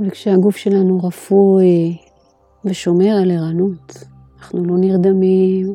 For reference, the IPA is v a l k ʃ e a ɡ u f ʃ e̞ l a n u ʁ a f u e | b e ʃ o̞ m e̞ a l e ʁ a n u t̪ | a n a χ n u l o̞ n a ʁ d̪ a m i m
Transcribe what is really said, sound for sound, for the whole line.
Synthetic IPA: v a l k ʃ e a ɡ u f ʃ e̞ l a n u ʁ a f u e | v e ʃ o̞ m e̞ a l e ʁ a n u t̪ | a n a χ n u l o̞ n i ʁ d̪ a m i m